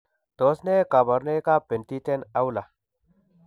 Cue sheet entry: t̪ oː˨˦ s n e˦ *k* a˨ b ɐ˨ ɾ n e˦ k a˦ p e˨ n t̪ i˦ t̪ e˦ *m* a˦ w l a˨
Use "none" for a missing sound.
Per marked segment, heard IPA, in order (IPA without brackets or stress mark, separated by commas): k, n